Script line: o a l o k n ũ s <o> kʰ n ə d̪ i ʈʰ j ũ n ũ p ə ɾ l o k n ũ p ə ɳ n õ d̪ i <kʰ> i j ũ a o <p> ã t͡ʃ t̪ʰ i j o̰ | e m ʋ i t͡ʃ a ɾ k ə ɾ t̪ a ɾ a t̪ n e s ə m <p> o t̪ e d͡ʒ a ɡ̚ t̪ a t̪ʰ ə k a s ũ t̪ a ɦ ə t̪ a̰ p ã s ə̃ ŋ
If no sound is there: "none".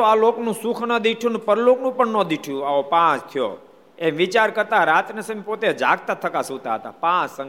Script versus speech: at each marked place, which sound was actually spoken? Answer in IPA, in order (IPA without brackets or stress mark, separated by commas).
u, ʈʰ, p, p